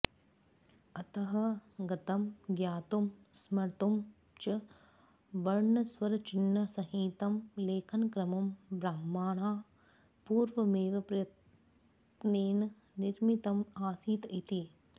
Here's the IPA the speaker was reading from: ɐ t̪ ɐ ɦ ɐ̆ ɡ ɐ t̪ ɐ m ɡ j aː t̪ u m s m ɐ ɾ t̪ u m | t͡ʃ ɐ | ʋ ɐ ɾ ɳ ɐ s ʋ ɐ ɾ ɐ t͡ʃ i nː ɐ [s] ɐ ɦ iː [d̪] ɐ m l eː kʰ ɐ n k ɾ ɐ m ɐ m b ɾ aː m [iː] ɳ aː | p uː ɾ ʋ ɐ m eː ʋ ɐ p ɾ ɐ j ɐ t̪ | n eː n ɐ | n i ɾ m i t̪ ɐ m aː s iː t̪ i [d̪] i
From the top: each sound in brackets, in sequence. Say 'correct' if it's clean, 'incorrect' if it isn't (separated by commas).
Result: correct, incorrect, incorrect, incorrect